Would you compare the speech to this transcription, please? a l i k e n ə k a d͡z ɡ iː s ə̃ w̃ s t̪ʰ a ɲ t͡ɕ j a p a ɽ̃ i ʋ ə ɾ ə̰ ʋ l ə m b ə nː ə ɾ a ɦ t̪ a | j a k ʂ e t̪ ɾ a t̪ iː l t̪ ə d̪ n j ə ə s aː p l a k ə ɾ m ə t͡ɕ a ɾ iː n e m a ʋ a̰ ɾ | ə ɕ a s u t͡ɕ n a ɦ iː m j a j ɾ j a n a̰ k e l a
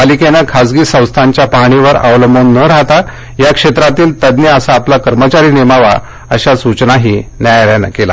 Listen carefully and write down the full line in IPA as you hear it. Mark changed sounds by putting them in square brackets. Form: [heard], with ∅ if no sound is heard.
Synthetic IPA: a l i k e n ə [kʰ] a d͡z ɡ iː s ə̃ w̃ s t̪ʰ a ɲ t͡ɕ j a p a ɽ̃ i ʋ ə ɾ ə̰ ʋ l ə m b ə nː ə ɾ a ɦ t̪ a | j a k ʂ e t̪ ɾ a t̪ iː l t̪ ə d̪ n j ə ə s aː p l a k ə ɾ m ə t͡ɕ a ɾ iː n e m a ʋ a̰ [∅] | ə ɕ a s u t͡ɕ n a ɦ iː [n] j a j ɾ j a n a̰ k e l a